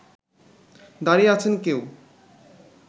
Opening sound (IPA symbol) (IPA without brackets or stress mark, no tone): d̪